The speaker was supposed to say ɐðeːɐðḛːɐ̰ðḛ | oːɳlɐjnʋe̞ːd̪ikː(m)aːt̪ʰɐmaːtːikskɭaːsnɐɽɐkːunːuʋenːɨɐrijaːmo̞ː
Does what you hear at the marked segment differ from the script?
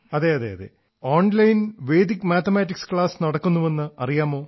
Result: no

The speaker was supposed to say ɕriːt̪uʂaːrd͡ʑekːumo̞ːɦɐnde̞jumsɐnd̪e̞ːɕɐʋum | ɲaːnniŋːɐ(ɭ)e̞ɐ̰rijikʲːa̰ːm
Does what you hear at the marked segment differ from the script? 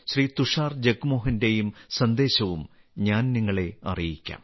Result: no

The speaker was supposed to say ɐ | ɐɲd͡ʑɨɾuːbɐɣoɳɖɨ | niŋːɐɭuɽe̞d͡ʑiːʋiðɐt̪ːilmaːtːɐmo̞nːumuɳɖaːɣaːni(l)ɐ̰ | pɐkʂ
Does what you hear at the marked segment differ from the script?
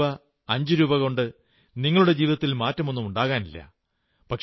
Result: yes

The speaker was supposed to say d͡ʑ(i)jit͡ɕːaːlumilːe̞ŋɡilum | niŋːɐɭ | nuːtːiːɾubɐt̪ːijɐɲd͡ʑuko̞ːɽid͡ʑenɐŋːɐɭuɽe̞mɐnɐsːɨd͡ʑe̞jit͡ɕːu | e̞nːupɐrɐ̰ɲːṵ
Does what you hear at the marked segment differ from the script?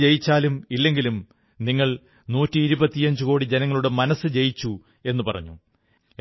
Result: yes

